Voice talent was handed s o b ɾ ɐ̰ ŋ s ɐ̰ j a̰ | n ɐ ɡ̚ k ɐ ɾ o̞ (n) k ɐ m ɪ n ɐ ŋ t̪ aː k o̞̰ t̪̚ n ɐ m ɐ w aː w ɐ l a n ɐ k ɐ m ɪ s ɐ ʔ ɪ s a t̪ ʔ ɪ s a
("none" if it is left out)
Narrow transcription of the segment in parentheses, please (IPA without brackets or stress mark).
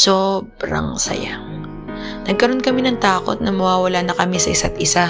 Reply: n